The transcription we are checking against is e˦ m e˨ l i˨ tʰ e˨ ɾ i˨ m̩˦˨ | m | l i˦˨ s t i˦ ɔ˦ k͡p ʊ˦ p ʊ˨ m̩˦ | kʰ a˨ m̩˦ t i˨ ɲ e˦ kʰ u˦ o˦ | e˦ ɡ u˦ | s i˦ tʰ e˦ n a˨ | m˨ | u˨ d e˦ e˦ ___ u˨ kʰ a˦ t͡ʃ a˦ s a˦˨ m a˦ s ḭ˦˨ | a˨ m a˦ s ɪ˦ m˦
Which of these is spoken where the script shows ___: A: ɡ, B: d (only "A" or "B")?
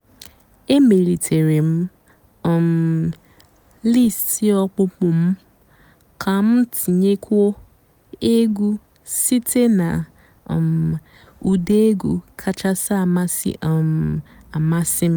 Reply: A